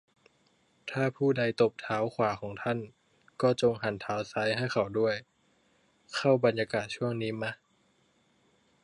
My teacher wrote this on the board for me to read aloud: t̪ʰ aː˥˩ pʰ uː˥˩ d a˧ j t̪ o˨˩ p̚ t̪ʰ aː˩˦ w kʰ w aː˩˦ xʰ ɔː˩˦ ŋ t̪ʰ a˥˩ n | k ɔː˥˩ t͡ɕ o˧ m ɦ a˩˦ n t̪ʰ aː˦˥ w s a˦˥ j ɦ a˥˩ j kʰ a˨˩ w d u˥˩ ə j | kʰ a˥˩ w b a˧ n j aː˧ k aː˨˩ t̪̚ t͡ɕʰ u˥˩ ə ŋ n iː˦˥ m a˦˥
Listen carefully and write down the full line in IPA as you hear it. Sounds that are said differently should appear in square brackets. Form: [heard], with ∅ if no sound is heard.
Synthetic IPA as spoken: t̪ʰ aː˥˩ pʰ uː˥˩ d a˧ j t̪ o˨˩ p̚ t̪ʰ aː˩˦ w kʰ w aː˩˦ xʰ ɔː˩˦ ŋ t̪ʰ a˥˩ n | k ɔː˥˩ t͡ɕ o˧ [ŋ] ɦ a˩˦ n t̪ʰ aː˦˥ w s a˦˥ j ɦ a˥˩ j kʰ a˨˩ w d u˥˩ ə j | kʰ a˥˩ w b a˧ n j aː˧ k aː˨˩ t̪̚ t͡ɕʰ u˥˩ ə ŋ n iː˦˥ m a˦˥